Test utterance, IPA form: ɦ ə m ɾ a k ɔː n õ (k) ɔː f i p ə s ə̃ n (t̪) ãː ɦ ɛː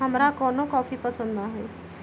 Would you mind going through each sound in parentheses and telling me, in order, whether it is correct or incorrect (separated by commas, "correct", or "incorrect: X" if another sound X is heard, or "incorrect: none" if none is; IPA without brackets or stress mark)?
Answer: correct, incorrect: d̪